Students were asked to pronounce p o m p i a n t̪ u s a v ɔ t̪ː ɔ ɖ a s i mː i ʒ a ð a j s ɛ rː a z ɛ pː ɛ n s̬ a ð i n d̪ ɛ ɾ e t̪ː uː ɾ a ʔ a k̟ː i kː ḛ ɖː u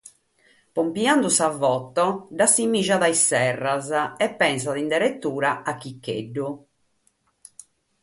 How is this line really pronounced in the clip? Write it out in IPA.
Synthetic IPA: p o m p i a n d̪ u s a v ɔ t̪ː ɔ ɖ a s i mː i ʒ a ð a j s ɛ rː a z ɛ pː ɛ n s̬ a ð i n d̪ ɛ ɾ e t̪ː uː ɾ a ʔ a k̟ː i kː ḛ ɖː u